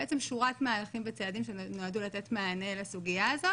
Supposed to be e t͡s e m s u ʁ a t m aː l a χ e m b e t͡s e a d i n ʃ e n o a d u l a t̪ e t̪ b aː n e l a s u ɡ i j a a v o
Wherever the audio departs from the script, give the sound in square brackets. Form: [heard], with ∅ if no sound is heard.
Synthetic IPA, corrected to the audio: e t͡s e m [ʃ] u ʁ a t m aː l a χ [i] m [v] e t͡s e a d i [m] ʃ e n o a d u l a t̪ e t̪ [m] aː n e l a s u ɡ i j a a [z] o